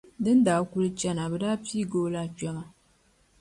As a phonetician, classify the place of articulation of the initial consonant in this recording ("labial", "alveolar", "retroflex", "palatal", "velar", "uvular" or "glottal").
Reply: alveolar